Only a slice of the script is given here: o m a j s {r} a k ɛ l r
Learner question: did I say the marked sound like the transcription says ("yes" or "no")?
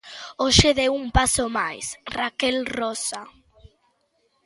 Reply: yes